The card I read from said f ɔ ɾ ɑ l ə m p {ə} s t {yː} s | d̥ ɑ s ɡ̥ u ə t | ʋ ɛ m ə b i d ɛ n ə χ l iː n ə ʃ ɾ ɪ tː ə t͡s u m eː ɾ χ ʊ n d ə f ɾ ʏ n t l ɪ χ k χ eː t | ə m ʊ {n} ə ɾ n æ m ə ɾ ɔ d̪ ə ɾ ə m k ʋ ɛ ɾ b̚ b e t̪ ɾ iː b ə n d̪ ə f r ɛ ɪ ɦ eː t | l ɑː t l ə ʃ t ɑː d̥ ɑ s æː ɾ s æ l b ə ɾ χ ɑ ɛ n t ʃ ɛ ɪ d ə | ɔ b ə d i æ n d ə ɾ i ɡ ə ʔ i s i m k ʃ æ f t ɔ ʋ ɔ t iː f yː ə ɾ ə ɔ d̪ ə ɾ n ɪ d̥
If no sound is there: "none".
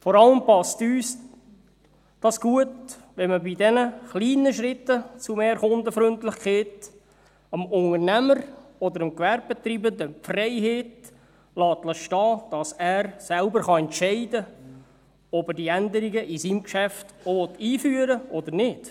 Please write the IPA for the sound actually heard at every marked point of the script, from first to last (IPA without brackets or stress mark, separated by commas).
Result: ɑ, yː, ŋ